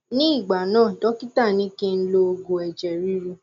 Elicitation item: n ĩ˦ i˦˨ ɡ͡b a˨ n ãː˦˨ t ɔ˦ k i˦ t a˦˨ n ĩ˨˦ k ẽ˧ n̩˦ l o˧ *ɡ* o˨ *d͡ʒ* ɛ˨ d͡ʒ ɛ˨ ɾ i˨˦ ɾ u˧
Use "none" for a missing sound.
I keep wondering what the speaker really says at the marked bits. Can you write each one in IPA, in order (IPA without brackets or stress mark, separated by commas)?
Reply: ɡ, none